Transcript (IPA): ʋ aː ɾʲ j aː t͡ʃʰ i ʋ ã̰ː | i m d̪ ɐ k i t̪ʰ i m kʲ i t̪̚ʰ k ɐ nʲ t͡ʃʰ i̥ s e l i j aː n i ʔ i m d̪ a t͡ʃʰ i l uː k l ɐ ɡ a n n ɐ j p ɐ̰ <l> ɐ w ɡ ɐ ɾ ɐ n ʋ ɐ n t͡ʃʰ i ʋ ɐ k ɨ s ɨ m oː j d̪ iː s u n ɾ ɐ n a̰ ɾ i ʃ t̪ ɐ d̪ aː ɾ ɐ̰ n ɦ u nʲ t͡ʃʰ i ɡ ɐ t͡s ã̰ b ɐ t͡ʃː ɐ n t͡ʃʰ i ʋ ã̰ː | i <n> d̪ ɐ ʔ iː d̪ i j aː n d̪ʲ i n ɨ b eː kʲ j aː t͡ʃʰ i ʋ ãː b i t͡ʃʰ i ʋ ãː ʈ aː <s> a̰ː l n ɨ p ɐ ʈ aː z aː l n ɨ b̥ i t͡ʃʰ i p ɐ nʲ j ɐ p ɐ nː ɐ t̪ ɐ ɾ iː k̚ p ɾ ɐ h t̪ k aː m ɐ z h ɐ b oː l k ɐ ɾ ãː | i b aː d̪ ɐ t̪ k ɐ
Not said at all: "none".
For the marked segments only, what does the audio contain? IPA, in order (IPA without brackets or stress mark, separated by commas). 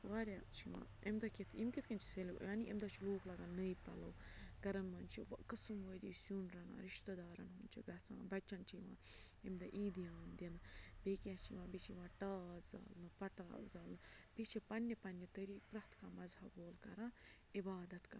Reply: l, m, z